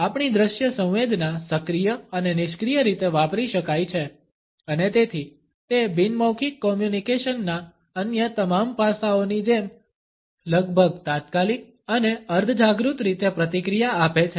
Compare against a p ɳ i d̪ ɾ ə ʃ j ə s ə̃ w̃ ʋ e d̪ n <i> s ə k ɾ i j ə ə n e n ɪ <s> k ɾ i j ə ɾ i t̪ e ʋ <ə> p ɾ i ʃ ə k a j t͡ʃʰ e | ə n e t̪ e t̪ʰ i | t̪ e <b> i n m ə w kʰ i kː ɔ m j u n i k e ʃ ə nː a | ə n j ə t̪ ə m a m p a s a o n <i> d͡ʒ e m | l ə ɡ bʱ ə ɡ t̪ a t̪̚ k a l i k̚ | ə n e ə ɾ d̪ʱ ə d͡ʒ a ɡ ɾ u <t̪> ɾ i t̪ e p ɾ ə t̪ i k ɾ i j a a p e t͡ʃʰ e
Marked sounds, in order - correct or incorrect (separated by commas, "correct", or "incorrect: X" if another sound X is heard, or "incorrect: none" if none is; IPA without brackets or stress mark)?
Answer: incorrect: a, incorrect: ʃ, incorrect: a, correct, correct, correct